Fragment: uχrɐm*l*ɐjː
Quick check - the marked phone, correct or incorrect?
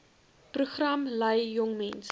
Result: correct